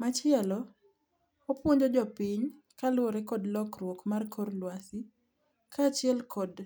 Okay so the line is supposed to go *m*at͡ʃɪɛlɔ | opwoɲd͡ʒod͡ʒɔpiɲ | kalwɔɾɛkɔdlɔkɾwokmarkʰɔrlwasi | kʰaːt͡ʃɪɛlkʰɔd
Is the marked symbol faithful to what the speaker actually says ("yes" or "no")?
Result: yes